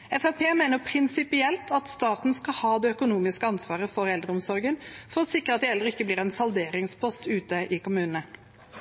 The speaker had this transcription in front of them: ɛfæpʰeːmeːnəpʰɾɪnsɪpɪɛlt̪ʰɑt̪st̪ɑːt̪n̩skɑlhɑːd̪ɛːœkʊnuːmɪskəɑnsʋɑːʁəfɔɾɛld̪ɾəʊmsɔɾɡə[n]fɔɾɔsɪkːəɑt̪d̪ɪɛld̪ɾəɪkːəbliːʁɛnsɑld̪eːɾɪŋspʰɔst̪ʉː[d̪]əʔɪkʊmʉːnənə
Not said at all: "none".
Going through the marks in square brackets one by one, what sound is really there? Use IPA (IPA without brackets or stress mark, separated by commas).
n, t̪